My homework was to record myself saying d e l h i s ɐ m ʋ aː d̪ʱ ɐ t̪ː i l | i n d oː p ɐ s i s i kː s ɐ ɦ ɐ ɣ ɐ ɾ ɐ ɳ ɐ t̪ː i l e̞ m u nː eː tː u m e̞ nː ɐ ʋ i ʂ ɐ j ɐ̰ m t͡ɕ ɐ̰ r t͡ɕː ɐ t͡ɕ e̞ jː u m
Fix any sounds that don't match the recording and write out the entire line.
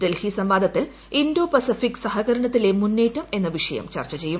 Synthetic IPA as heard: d e l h i s ɐ m ʋ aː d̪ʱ ɐ t̪ː i l | i n d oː p ɐ s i f i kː s ɐ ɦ ɐ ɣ ɐ ɾ ɐ ɳ ɐ t̪ː i l e̞ m u nː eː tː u m e̞ nː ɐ ʋ i ʂ ɐ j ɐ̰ m t͡ɕ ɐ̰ r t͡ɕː ɐ t͡ɕ e̞ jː u m